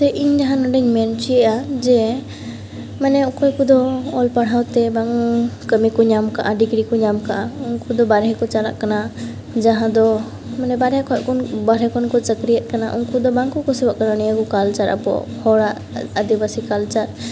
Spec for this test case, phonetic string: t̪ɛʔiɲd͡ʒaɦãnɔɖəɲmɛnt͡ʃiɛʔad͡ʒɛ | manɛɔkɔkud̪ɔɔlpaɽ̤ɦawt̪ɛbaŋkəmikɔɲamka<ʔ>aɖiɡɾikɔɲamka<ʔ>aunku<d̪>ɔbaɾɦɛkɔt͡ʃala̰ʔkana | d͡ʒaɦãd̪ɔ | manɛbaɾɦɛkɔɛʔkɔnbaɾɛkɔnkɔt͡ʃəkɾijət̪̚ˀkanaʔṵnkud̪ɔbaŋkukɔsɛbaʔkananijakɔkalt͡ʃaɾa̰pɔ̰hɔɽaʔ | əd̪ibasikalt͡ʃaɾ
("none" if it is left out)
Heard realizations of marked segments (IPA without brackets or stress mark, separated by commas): ʔ, ʔ, d̪